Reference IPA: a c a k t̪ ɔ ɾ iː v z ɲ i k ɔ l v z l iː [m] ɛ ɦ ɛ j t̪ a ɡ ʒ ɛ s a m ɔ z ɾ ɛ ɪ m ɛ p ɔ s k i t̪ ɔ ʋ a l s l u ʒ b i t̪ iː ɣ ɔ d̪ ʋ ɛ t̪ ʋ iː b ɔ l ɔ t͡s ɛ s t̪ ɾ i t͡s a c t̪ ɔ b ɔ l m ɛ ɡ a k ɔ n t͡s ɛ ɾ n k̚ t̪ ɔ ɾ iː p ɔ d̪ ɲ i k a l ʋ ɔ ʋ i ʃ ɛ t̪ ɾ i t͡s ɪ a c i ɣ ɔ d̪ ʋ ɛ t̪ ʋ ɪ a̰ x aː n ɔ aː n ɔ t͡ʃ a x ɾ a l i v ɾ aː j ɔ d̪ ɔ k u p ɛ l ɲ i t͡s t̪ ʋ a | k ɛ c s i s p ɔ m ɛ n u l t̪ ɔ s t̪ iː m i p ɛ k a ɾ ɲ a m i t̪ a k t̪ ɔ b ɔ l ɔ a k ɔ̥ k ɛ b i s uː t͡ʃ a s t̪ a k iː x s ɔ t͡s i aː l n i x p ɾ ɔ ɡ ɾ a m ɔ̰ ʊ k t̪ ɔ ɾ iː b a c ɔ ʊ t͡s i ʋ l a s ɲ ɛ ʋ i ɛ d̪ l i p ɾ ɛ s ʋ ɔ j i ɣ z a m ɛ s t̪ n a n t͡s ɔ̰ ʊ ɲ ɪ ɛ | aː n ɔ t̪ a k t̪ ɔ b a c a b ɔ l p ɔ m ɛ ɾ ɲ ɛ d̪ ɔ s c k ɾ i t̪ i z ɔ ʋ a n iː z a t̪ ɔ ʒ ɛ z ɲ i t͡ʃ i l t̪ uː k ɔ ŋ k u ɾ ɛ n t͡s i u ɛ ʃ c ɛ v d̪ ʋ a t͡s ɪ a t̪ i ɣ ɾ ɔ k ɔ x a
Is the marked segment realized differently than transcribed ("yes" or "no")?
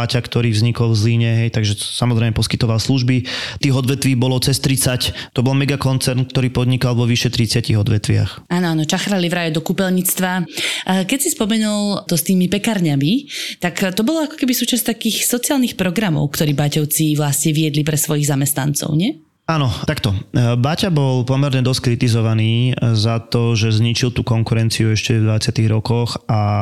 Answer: yes